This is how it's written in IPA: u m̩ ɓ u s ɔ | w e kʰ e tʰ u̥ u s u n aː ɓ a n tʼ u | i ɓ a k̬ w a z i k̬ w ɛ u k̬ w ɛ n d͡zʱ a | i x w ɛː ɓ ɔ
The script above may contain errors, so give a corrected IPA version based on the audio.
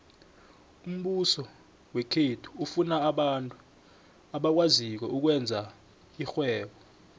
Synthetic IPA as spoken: u m̩ ɓ u s ɔ | w e kʰ e tʰ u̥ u f u n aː ɓ a n tʼ u | a ɓ a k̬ w a z i k̬ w ɛ u k̬ w ɛ n d͡zʱ a | i x w ɛː ɓ ɔ